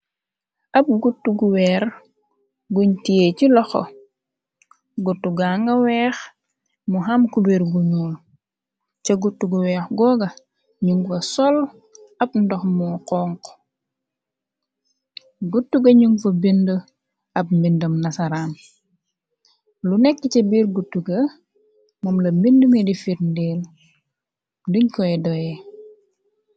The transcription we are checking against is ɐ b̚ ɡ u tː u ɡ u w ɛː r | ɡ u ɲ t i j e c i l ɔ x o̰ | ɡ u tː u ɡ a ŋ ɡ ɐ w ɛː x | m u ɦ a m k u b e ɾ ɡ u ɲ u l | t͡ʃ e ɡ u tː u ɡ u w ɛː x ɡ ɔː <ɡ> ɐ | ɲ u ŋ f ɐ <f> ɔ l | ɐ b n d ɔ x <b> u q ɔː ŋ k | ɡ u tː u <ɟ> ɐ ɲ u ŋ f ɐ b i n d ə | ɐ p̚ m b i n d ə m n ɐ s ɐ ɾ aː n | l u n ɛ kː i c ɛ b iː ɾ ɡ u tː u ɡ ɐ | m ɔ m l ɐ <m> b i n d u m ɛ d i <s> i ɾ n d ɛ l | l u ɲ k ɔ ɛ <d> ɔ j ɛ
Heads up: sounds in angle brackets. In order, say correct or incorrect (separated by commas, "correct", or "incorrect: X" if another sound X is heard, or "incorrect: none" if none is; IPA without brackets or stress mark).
correct, incorrect: s, incorrect: m, incorrect: ɡ, correct, incorrect: f, correct